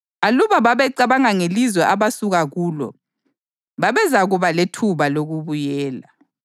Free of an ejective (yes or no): yes